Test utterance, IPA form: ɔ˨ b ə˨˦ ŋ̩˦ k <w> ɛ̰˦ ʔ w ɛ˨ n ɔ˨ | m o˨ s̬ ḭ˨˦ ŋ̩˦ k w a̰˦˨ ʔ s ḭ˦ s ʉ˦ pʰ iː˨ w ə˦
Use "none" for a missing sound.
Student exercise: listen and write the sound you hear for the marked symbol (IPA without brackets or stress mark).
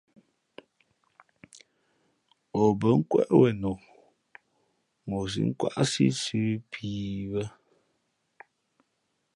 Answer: w